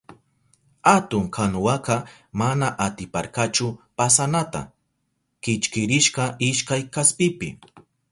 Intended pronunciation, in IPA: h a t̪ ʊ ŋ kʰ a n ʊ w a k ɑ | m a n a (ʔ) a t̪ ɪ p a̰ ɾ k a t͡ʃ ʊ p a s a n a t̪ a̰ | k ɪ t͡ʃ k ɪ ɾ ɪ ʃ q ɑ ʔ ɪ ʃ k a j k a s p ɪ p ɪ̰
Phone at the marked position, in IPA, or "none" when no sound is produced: ʔ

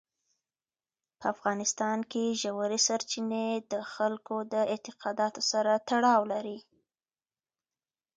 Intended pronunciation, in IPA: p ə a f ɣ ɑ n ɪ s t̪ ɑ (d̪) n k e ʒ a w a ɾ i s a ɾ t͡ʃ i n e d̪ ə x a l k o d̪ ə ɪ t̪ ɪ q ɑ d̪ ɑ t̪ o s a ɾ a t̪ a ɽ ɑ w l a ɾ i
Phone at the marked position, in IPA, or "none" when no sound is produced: none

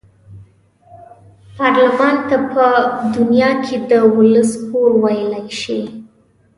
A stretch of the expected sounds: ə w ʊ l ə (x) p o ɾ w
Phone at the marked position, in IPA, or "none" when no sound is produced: s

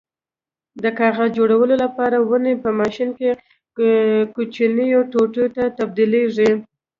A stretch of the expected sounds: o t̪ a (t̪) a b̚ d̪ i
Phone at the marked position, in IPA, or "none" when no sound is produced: t̪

